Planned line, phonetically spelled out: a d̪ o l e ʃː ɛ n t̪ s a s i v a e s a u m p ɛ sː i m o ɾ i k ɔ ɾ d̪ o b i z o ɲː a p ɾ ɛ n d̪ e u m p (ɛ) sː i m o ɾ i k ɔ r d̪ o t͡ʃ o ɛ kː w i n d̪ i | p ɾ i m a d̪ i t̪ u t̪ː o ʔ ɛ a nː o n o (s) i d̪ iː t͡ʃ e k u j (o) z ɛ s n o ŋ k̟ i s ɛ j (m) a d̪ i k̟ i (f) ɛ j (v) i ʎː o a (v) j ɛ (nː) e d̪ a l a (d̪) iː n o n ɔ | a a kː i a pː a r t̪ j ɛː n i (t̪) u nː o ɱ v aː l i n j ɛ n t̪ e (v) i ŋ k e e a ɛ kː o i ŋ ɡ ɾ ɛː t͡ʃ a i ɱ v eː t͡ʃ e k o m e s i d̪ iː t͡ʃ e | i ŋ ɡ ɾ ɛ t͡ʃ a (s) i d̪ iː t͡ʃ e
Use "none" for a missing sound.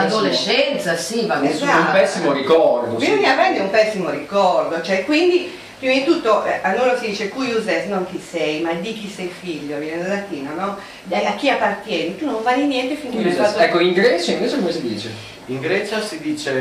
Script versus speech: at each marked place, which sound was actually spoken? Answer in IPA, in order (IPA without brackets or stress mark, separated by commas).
ɛ, s, u, m, s, f, v, n, t̪, t̪, f, s